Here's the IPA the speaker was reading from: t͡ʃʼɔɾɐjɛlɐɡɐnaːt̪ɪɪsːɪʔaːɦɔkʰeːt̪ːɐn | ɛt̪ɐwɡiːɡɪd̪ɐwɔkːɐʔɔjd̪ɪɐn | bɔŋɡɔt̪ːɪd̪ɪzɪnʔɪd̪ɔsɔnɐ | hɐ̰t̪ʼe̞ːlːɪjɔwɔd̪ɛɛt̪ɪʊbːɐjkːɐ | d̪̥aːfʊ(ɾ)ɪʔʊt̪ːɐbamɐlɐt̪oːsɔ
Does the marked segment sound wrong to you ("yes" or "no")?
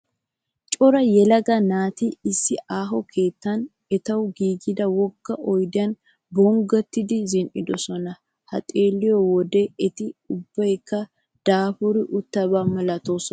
no